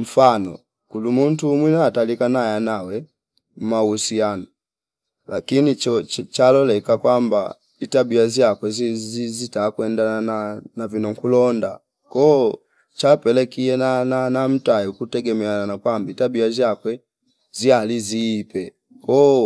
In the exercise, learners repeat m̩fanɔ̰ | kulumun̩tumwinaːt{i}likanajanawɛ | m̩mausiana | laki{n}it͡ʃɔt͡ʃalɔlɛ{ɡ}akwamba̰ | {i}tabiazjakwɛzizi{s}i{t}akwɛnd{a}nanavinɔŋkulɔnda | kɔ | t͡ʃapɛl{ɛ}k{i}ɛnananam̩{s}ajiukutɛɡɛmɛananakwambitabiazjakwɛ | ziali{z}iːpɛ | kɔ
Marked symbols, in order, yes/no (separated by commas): no, yes, no, yes, no, yes, yes, yes, yes, no, yes